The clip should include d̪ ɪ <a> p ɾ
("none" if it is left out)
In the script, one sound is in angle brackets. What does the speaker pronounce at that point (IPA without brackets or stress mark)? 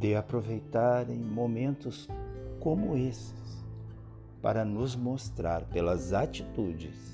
a